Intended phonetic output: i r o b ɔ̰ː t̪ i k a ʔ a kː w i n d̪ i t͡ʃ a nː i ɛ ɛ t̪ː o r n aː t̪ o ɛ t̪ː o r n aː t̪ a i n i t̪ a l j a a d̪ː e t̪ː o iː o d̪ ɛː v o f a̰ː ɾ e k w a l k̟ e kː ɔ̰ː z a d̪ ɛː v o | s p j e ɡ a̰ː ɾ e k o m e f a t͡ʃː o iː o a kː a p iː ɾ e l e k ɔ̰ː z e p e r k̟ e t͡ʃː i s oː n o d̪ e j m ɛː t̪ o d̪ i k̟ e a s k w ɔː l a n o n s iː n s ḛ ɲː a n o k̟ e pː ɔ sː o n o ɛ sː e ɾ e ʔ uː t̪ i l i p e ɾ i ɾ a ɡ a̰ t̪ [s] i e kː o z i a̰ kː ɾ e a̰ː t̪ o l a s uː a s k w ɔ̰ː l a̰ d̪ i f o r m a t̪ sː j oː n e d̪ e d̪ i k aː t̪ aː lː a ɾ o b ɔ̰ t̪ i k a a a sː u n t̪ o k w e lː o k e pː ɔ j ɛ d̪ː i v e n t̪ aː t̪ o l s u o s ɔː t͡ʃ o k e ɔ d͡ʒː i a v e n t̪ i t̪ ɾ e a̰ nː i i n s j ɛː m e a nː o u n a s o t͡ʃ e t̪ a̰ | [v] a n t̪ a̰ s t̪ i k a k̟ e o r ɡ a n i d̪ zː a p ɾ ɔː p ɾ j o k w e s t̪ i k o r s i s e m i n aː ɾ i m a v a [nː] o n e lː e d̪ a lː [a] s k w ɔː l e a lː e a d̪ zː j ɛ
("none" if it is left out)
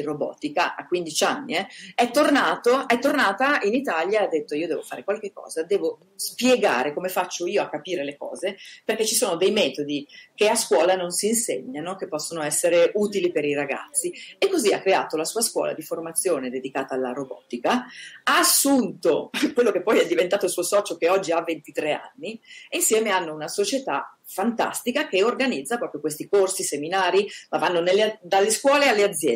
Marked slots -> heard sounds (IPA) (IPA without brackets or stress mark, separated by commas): sː, f, nː, e